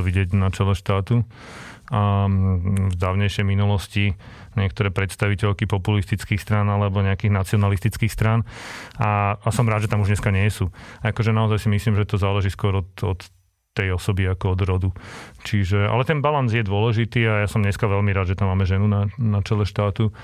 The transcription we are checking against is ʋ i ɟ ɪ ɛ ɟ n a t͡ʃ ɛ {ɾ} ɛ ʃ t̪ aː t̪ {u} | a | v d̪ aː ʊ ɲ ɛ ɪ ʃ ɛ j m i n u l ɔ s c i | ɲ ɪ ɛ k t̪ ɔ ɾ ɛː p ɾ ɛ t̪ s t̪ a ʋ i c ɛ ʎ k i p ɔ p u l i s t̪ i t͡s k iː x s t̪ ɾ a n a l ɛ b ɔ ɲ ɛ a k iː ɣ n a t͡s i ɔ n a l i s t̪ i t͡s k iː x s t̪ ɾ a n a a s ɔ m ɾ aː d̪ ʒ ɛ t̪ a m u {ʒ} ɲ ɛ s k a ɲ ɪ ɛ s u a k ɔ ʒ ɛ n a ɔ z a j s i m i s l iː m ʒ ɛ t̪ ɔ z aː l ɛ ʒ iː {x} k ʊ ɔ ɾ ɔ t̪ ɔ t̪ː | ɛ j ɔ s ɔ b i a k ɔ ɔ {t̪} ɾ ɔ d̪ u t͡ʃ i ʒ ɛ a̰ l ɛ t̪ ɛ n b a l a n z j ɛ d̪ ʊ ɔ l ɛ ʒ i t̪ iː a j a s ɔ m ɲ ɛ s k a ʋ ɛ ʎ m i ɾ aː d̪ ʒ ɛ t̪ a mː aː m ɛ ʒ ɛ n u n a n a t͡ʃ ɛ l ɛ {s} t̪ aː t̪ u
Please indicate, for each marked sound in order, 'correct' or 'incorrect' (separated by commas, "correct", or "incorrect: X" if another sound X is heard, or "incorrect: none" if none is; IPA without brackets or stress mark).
incorrect: l, correct, correct, incorrect: s, incorrect: d̪, incorrect: ʃ